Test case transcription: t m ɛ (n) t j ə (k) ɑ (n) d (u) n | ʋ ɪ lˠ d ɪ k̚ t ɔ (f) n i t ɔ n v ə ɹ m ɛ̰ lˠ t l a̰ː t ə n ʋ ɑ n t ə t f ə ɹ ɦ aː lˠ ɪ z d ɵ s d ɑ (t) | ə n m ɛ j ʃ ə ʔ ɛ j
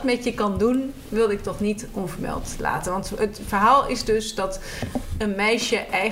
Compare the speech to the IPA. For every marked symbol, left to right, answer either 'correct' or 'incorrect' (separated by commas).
incorrect, correct, correct, correct, incorrect, correct